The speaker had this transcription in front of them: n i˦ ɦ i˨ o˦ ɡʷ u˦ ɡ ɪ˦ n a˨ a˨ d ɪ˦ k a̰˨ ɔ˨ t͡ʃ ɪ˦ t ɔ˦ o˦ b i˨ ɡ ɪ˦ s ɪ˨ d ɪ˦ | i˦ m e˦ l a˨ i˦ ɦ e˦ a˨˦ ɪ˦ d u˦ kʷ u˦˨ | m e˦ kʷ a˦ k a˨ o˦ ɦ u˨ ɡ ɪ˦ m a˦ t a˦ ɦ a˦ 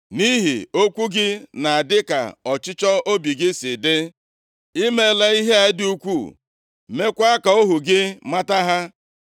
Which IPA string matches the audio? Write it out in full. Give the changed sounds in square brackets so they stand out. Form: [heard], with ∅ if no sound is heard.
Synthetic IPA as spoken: n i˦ ɦ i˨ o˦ [kʷ] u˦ ɡ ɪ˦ n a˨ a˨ d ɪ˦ k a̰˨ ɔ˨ t͡ʃ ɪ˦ [t͡ʃ] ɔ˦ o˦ b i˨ ɡ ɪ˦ s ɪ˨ d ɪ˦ | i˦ m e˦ l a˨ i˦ ɦ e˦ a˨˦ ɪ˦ d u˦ kʷ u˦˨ | m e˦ kʷ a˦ k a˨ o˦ ɦ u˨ ɡ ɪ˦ m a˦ t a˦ ɦ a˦